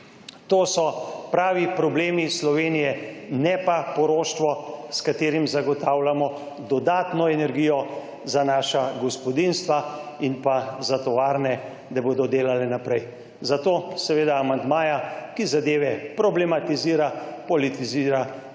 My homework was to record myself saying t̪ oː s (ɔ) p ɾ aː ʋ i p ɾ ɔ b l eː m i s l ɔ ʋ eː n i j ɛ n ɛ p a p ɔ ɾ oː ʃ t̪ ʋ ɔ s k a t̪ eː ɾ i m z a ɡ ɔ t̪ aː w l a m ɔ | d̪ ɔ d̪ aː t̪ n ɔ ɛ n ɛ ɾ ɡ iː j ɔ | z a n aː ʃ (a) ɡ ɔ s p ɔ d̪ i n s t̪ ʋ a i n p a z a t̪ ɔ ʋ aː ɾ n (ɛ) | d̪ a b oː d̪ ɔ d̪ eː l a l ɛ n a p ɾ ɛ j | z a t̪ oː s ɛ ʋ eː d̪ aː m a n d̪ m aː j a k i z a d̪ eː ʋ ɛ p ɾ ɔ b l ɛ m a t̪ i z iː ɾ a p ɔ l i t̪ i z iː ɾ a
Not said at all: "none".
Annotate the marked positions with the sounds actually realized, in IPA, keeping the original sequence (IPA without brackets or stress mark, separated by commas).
ɔ, a, ɛ